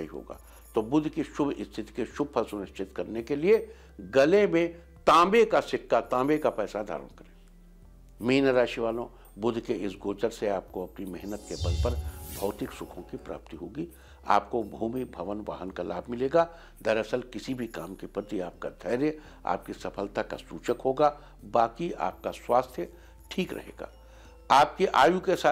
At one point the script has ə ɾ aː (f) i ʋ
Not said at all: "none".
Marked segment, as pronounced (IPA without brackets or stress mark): ʃ